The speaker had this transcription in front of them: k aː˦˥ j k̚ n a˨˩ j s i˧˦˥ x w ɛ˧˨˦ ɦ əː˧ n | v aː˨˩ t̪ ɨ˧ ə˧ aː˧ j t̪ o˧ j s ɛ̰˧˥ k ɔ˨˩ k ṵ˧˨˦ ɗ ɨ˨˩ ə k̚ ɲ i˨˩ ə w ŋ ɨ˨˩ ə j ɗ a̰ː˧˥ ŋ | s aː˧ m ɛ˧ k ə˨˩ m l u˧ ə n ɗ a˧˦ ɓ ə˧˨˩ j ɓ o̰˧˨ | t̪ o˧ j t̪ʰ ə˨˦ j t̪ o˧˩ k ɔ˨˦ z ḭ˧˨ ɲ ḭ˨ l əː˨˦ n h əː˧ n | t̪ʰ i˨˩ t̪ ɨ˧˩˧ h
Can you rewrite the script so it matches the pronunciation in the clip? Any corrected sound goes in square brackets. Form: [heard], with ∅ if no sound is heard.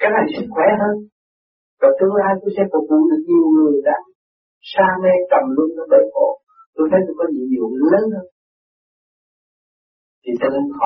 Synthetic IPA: k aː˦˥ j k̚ n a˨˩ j s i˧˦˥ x w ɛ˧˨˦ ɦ əː˧ n | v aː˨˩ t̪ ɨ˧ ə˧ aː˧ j t̪ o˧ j s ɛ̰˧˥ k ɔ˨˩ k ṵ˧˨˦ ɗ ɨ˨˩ ə k̚ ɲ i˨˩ ə w ŋ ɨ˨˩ ə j ɗ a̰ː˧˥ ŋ | s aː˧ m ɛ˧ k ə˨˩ m l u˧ ə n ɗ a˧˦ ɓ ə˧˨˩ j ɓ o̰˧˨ | t̪ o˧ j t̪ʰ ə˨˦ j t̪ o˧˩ k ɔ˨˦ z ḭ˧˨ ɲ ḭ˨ l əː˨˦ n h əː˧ n | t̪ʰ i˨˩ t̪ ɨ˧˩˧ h